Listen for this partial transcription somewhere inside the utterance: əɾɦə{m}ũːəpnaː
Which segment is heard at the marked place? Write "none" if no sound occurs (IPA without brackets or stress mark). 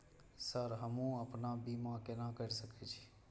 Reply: m